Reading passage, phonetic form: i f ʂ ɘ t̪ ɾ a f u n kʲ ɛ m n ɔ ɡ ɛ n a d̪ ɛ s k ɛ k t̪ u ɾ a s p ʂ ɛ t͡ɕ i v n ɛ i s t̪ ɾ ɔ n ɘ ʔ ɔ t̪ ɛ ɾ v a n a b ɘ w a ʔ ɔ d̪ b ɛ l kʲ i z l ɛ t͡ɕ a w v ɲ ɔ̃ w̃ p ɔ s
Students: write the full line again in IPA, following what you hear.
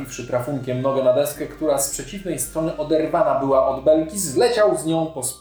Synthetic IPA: i f ʂ ɘ t̪ ɾ a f u ŋ kʲ ɛ m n ɔ ɡ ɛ n a d̪ ɛ s k ɛ k t̪ u ɾ a s p ʂ ɛ t͡ɕ i v n ɛ j s t̪ ɾ ɔ n ɘ ʔ ɔ d̪ ɛ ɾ v a n a b ɘ w a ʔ ɔ d̪ b ɛ l kʲ i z l ɛ t͡ɕ a w z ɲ ɔ̃ w̃ p ɔ s